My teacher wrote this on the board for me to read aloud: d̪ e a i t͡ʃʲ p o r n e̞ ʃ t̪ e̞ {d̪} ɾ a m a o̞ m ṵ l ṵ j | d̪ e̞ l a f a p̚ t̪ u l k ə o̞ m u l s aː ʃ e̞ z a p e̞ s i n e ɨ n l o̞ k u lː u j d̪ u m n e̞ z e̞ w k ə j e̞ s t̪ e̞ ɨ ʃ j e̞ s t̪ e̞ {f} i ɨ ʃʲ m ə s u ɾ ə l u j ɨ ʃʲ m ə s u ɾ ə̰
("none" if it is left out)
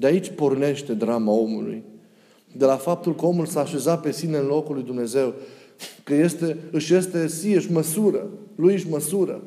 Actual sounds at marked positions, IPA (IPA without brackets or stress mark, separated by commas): d̪, s